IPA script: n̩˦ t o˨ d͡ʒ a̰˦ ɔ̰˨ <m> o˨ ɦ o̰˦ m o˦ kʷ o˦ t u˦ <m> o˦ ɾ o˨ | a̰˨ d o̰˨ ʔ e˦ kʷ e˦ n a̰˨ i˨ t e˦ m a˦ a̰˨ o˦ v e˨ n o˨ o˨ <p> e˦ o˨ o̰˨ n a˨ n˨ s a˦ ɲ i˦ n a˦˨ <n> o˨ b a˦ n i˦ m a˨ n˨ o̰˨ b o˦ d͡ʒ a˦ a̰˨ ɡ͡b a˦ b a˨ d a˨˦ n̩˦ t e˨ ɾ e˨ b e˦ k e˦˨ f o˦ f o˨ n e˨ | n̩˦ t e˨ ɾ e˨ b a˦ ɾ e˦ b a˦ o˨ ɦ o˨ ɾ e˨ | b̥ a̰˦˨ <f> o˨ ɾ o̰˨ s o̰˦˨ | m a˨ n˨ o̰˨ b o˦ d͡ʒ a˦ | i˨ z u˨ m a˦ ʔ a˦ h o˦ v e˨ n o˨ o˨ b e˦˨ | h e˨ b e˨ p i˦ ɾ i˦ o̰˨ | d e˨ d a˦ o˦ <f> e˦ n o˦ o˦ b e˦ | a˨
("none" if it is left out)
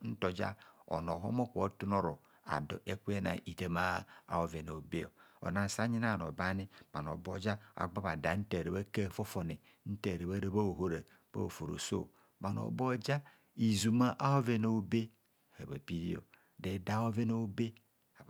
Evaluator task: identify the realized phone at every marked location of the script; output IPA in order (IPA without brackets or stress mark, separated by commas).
n, n, b, n, f, v